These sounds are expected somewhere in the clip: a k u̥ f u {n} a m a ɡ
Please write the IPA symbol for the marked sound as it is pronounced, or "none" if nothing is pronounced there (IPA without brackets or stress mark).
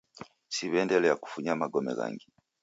ɲ